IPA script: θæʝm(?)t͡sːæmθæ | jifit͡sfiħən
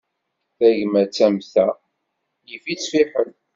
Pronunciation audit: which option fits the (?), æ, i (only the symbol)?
æ